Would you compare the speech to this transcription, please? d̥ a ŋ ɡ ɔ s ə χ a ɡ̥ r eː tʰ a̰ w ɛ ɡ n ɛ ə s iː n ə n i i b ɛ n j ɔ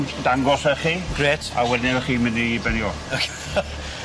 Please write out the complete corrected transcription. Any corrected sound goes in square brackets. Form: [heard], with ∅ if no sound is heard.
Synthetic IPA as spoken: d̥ a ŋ ɡ ɔ s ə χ [i] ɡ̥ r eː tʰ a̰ w ɛ [d] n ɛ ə [χ] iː [m] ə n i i b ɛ n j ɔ

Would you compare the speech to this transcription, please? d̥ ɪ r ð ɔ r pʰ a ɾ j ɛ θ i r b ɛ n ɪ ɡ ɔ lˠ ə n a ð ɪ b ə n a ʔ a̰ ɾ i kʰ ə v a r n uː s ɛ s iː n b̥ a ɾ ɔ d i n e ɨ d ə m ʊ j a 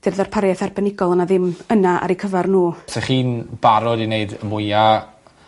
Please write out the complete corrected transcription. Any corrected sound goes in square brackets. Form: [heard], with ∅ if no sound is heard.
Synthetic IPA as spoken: d̥ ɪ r ð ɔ r pʰ a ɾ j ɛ θ [a] r b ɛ n ɪ ɡ ɔ lˠ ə n a ð ɪ [m] ə n a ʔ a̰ ɾ i kʰ ə v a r n uː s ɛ [χ] iː n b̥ a ɾ ɔ d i n e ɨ d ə m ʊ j a

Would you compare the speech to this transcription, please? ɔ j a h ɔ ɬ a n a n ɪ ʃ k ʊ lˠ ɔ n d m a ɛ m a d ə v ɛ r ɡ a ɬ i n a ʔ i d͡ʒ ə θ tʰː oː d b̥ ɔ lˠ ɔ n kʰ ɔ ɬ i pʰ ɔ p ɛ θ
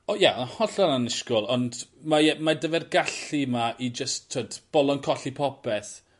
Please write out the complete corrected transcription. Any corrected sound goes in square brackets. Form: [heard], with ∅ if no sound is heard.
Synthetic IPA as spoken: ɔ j a h ɔ ɬ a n a n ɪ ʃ k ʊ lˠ ɔ n d m a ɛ m a d ə v ɛ r ɡ a ɬ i [m] a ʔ i d͡ʒ ə [s] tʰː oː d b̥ ɔ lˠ ɔ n kʰ ɔ ɬ i pʰ ɔ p ɛ θ

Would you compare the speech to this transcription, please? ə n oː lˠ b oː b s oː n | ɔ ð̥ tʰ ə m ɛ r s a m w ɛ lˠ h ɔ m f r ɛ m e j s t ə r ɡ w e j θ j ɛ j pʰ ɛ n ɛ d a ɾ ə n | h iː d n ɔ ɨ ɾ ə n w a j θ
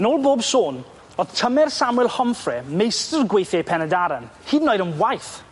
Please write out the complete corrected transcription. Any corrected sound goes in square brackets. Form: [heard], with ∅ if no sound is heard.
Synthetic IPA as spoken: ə n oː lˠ b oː b s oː n | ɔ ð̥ tʰ ə m ɛ r s a m w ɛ lˠ h ɔ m f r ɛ m e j s t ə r ɡ w e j θ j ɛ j pʰ ɛ n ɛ d a ɾ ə n | h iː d n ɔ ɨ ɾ ə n w a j θ

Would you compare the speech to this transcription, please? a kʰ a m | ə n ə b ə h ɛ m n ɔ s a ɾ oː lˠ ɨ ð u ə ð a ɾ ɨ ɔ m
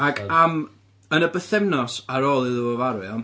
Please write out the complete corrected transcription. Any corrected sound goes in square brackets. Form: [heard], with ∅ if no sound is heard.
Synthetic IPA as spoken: a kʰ a m | ə n ə b ə [θ] ɛ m n ɔ s a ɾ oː lˠ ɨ ð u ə [v] a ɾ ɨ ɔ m

